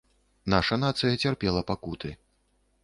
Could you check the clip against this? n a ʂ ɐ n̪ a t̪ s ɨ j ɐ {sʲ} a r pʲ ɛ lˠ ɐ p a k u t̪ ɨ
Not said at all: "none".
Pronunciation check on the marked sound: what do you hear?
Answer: t͡sʲ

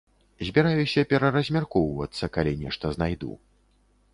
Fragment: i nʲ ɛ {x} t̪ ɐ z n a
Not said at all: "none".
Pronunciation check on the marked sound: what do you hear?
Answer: ʂ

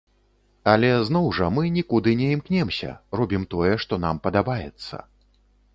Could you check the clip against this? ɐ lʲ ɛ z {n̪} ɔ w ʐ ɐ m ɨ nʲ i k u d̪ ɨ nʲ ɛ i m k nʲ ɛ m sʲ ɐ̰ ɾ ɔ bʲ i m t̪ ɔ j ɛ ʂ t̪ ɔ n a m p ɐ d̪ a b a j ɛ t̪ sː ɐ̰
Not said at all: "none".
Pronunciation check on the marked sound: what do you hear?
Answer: n̪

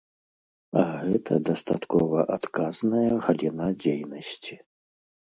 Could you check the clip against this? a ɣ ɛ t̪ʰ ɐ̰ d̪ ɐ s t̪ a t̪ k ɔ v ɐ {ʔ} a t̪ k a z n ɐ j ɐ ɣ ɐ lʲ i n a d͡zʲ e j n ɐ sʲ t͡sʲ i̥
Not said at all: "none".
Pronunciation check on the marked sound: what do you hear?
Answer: ʔ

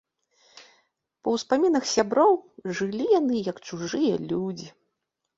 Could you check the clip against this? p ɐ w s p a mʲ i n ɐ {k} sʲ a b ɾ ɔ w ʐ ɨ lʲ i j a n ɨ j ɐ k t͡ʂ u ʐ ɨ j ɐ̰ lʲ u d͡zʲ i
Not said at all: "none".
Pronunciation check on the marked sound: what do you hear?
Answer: x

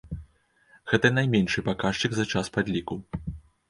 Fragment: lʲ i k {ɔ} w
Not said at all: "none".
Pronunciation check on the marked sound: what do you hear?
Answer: u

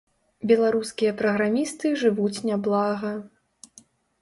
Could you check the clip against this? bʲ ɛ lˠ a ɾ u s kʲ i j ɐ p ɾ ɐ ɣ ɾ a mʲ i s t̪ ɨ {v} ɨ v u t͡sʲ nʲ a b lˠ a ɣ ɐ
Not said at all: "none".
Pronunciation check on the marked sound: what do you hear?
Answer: ʐ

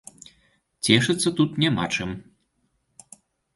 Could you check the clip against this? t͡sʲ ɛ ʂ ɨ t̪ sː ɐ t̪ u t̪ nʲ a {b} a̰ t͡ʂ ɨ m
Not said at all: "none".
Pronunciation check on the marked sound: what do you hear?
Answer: m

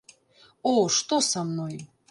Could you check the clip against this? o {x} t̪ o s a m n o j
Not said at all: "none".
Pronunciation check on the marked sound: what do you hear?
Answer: ʂ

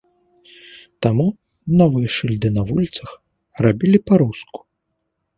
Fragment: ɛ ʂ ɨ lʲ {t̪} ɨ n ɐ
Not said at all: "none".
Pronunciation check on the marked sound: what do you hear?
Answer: d̪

